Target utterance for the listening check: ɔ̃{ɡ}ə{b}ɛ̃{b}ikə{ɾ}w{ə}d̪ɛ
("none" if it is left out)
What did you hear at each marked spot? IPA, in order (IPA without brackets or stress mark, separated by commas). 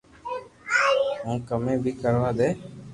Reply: k, m, b, ɾ, a